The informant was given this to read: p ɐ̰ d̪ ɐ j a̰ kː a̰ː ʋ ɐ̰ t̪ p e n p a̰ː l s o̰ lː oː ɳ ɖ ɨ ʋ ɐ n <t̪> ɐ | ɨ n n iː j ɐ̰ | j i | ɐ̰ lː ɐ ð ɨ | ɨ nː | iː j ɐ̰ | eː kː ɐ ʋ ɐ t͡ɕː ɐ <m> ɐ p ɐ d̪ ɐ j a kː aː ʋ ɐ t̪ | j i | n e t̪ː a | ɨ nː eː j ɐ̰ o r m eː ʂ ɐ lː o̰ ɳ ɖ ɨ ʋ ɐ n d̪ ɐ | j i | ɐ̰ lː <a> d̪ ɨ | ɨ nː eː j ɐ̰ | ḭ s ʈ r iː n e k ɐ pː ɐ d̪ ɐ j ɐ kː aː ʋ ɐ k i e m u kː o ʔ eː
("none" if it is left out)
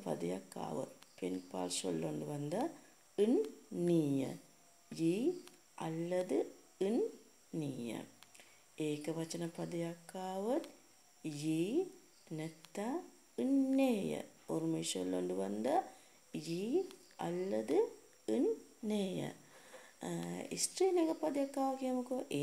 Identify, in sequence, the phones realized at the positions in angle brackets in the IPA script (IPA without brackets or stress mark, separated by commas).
d̪, n, ɐ